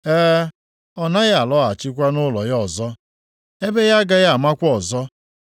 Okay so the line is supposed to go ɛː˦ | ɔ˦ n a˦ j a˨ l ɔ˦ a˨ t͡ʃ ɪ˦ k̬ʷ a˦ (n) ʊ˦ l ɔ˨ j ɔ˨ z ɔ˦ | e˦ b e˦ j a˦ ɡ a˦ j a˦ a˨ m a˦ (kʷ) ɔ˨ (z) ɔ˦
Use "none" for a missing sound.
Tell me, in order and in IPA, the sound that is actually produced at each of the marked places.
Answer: n, kʷ, z

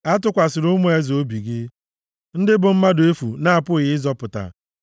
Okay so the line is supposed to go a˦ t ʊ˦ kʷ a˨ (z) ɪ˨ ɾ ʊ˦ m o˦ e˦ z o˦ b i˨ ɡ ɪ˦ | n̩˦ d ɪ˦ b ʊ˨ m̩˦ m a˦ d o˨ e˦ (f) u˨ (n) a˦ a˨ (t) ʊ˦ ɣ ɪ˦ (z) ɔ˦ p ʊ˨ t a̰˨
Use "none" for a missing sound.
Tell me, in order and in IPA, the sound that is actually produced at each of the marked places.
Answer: s, f, n, p, z

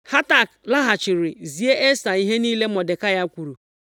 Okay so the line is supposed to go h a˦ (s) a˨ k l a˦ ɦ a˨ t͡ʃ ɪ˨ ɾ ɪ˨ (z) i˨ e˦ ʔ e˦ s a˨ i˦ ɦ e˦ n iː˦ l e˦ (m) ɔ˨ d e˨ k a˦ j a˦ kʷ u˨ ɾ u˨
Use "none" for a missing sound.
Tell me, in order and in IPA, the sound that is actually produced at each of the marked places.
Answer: t, z, m

